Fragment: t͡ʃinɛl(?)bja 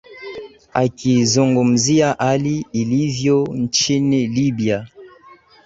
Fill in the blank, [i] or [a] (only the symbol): i